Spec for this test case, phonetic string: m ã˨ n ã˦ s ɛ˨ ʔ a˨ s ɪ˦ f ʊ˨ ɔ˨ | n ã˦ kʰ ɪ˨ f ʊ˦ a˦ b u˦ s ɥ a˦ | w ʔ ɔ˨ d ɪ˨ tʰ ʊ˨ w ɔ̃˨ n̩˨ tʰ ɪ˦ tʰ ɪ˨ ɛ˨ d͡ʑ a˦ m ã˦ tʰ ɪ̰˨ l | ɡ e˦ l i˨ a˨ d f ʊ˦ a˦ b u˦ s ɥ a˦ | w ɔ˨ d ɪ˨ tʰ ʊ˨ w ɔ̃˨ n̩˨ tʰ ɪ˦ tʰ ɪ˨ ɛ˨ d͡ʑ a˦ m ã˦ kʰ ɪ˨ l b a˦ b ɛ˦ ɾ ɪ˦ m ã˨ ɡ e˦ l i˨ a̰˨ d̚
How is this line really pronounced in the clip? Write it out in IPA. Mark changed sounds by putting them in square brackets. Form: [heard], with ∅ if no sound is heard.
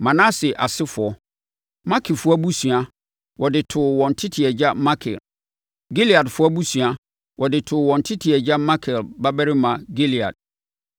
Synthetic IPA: m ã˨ n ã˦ s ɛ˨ ʔ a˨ s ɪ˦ f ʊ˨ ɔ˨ | [m] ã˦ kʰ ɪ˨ f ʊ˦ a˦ b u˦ s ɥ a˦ | w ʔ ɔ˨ d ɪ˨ tʰ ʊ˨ w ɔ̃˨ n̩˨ tʰ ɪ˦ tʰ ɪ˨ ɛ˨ d͡ʑ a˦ m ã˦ [kʰ] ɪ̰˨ l | ɡ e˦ l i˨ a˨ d f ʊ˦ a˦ b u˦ s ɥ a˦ | w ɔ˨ d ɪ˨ tʰ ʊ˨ w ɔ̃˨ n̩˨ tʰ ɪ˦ tʰ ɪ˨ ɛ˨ d͡ʑ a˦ m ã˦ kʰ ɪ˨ l b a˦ b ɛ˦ ɾ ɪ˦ m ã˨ ɡ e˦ l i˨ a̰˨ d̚